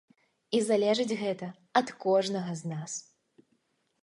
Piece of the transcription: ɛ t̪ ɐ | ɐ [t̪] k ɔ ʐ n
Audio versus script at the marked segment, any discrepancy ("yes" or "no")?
no